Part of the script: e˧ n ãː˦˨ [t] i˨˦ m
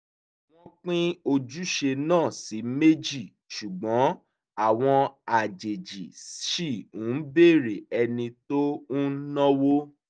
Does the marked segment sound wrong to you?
yes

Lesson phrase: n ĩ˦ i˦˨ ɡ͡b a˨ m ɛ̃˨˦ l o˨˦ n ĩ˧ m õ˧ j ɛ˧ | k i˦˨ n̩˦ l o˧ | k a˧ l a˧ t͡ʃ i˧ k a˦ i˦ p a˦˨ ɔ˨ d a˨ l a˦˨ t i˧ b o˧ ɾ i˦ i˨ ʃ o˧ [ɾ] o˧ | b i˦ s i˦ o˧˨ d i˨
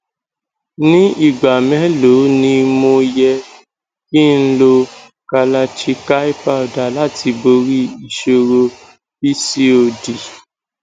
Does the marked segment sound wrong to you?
no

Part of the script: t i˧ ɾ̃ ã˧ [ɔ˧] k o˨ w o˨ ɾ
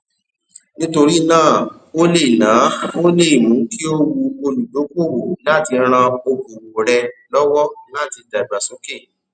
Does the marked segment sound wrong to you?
yes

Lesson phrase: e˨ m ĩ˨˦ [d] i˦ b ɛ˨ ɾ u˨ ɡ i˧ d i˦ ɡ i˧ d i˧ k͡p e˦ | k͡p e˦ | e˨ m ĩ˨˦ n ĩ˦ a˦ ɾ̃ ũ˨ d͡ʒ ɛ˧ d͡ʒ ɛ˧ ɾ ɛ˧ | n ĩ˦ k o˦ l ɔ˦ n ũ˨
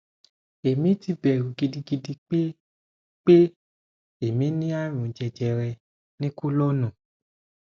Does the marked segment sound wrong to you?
yes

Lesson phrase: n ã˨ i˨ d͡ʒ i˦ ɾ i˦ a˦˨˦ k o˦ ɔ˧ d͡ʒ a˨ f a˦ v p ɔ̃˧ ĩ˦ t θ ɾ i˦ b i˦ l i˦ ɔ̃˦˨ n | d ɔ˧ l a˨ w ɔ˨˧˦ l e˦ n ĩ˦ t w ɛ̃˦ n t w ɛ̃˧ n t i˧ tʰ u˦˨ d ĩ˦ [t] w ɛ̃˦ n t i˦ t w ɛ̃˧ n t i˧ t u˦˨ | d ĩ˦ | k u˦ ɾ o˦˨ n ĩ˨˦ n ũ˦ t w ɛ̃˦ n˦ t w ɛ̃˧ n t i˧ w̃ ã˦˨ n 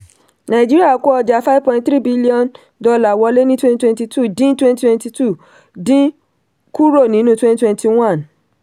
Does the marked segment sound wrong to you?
no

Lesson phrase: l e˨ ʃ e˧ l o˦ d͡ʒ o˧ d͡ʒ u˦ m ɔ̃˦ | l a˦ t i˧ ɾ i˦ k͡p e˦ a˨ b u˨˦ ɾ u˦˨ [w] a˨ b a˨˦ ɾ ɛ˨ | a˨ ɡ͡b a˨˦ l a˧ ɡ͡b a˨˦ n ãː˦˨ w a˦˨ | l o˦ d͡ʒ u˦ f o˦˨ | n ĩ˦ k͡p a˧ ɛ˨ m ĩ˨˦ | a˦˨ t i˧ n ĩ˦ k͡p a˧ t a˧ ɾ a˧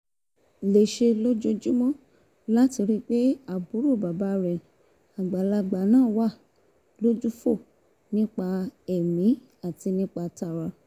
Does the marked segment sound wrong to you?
yes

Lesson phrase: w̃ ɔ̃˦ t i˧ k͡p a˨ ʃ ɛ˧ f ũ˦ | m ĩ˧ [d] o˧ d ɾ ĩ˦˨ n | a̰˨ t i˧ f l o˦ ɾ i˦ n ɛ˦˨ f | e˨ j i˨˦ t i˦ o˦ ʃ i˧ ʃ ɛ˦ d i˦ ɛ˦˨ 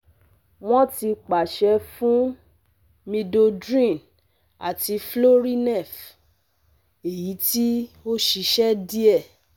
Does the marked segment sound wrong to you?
no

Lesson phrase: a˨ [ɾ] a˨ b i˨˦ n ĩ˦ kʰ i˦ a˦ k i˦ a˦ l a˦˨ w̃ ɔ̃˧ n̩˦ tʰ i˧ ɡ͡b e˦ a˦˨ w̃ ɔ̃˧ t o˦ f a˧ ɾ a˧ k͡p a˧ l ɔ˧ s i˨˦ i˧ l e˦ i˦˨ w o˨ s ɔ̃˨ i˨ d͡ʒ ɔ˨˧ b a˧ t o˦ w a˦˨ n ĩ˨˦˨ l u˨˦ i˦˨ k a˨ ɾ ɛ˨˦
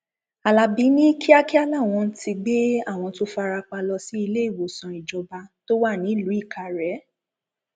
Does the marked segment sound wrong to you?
yes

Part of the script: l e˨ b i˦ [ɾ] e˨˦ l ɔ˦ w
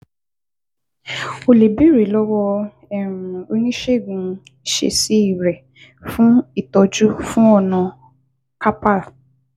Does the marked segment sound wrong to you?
no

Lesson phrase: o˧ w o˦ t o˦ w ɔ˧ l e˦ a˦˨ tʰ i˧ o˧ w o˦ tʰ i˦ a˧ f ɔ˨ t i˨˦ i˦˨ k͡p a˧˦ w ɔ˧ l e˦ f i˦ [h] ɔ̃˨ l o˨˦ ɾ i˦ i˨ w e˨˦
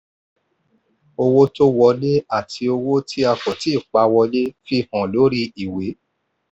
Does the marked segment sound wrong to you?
no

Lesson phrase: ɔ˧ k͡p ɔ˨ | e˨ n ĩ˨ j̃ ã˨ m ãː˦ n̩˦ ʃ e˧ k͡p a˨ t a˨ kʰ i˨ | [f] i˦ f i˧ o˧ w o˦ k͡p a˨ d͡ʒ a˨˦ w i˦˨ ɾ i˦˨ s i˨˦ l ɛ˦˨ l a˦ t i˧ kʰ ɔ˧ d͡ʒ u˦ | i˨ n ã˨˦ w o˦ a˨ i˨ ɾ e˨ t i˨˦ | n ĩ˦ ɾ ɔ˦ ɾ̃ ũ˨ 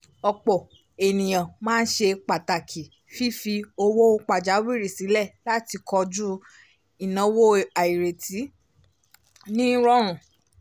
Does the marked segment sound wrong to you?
no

